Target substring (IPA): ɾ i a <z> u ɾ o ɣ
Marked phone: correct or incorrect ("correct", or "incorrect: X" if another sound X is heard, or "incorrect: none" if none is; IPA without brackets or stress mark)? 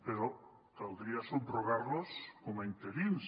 incorrect: s